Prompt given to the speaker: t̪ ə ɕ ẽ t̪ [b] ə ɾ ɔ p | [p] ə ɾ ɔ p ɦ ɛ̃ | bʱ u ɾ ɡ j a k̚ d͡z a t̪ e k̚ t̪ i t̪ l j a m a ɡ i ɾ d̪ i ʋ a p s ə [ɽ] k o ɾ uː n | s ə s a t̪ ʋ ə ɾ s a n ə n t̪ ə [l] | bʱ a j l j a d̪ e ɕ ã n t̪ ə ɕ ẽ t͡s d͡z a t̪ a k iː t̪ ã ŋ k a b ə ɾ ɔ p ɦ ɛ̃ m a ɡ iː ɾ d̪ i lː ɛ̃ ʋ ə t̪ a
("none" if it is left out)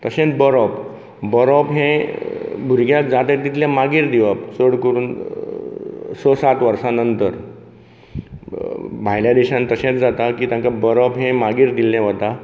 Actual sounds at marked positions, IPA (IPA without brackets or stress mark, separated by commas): b, b, ɽ, ɾ